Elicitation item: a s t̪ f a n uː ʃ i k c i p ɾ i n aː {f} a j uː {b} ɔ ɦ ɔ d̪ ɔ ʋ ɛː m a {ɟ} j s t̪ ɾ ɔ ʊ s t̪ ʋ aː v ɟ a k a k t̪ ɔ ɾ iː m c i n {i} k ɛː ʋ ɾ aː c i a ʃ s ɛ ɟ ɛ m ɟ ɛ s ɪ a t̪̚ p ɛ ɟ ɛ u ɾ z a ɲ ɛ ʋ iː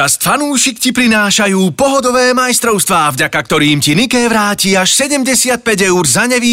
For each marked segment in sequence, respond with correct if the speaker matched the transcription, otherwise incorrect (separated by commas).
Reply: incorrect, incorrect, incorrect, correct